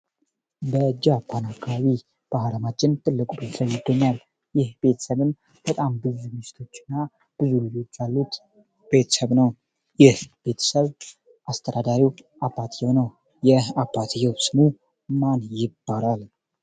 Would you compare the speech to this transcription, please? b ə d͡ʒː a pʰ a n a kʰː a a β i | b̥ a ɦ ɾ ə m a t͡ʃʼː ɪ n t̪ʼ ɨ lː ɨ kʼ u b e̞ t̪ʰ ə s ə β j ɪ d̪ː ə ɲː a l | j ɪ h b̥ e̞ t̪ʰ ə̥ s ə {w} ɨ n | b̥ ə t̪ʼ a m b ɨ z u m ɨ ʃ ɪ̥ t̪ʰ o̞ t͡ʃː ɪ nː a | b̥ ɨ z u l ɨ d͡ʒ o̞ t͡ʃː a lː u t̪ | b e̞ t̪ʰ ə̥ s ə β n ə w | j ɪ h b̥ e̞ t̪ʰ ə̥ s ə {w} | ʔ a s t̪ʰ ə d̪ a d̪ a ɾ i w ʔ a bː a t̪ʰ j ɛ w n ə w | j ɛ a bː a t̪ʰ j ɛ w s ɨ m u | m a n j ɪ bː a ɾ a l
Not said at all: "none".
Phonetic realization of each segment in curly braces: β, β

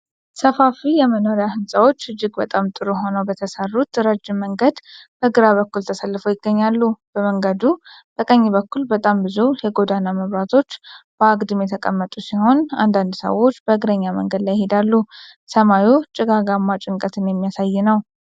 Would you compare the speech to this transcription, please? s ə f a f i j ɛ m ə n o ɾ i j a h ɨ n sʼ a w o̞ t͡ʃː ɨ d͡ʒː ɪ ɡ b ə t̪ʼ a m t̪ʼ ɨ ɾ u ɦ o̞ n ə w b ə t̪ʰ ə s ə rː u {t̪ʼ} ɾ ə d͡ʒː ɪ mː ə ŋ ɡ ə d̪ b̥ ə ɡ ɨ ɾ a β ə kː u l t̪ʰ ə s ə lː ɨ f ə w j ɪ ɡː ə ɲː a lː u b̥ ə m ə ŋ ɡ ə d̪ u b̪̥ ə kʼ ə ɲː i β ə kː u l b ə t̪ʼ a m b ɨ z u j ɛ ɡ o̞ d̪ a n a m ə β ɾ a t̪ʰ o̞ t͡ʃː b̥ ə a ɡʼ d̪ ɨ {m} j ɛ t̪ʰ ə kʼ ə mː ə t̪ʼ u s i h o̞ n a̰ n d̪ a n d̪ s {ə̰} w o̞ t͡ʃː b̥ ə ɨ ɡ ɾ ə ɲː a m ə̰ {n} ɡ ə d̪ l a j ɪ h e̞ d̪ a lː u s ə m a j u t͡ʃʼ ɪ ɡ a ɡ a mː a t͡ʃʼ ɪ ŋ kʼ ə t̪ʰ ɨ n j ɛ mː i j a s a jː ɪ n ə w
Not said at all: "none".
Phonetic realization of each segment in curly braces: t̪, m, ə̰, ŋ

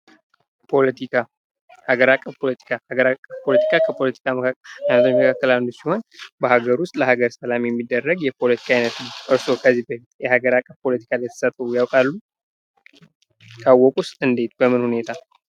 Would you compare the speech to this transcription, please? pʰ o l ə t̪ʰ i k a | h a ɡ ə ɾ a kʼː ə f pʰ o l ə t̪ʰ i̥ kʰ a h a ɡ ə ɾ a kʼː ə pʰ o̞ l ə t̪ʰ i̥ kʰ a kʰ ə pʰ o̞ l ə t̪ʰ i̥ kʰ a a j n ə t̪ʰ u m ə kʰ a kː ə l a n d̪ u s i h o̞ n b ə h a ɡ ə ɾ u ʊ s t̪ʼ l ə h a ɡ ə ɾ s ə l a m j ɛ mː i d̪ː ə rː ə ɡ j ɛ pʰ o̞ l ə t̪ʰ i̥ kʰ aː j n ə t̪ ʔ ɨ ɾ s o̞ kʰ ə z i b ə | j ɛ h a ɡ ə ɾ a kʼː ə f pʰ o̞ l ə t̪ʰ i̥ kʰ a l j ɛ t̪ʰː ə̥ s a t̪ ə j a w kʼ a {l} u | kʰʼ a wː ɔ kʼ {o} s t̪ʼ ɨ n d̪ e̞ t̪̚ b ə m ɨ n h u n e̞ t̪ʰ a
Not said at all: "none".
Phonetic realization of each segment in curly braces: lː, u

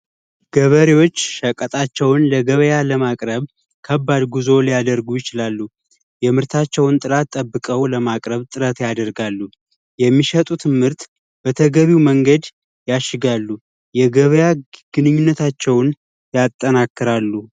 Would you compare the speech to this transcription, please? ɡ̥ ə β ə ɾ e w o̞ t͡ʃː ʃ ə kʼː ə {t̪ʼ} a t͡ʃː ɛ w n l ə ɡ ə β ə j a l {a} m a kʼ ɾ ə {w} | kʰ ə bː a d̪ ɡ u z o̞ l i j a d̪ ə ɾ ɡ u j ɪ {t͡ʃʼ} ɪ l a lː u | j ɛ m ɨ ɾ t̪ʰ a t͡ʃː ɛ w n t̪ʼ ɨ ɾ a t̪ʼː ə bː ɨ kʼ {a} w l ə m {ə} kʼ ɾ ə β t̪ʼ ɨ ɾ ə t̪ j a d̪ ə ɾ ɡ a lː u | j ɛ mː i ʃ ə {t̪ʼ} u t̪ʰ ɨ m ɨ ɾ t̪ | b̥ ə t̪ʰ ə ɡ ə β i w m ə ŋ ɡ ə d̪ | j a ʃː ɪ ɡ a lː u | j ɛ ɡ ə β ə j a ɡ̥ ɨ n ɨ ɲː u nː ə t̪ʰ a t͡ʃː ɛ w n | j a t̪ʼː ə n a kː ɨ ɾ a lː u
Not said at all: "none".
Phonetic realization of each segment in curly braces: t̪ʼ, ə, β, t͡ʃ, ə, a, t̪ʼ

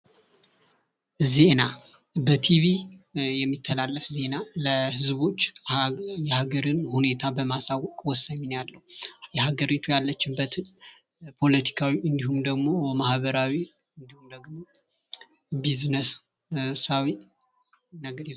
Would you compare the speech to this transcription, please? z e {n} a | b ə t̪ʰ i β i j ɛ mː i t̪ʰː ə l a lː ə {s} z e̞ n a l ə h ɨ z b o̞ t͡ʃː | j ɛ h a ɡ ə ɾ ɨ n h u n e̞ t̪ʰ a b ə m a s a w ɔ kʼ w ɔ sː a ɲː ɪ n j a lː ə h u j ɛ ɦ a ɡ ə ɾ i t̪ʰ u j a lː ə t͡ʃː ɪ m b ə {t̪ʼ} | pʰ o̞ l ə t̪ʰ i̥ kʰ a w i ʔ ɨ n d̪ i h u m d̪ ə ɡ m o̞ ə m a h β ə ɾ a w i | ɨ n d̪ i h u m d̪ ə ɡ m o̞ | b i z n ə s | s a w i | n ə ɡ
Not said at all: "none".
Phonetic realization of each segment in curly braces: n, f, t̪

